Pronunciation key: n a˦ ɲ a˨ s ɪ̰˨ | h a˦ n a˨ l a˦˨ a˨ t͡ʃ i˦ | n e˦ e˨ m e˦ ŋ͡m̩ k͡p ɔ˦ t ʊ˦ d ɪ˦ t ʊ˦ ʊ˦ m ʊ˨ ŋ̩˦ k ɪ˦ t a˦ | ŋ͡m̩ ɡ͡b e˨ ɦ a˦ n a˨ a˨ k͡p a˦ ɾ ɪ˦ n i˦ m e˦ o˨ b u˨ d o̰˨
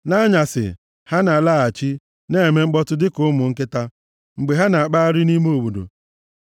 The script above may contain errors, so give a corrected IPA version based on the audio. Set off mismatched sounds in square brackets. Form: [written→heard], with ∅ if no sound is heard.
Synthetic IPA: n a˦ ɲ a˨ s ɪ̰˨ | h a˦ n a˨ l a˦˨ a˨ t͡ʃ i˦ | n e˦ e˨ m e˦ ŋ͡m̩ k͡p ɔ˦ t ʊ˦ d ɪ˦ [t→k] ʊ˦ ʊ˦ m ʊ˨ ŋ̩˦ k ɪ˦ t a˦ | ŋ͡m̩ ɡ͡b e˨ ɦ a˦ n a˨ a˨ k͡p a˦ ɾ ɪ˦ n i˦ m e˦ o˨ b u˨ d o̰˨